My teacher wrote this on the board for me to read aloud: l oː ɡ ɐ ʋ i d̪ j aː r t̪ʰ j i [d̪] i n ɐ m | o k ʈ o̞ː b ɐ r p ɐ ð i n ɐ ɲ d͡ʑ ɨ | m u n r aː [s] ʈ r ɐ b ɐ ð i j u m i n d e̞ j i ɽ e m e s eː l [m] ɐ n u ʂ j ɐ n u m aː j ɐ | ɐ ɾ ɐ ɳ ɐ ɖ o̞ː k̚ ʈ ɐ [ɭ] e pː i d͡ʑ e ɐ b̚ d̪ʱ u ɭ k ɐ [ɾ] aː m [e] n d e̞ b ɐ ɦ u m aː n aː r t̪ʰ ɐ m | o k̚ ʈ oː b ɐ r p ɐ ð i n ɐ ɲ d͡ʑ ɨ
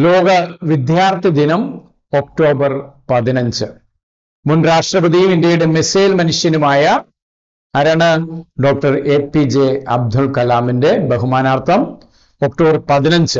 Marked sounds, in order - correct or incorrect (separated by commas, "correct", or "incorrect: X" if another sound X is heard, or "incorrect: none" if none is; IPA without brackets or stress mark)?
correct, incorrect: ʂ, correct, incorrect: r, incorrect: l, incorrect: i